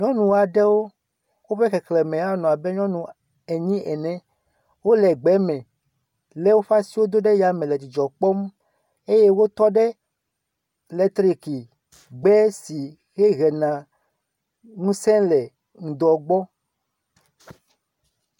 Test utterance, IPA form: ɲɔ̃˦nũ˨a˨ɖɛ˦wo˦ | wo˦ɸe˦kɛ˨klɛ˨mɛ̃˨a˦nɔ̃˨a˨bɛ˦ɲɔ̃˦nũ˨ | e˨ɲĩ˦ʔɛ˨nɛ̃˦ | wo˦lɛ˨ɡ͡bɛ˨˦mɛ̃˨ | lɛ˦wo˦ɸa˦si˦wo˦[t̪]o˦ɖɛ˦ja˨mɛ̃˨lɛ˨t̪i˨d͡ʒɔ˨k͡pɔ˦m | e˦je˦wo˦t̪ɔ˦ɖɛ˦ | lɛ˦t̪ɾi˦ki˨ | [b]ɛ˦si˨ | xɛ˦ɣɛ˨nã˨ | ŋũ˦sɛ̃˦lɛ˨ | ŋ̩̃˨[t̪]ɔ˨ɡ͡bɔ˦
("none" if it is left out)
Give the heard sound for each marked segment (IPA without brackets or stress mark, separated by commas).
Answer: d̪, ɡ͡b, d̪